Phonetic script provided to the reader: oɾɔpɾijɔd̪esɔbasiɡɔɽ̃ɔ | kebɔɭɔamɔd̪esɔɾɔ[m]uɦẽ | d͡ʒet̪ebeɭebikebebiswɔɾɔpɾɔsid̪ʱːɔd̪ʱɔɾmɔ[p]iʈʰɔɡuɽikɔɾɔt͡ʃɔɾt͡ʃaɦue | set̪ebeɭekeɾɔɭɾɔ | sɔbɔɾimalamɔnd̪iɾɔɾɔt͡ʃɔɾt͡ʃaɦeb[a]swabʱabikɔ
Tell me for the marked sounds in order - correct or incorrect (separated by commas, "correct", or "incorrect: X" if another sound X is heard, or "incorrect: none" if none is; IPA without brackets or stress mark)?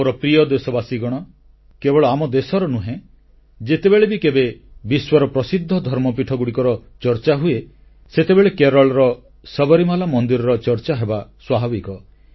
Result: incorrect: n, correct, correct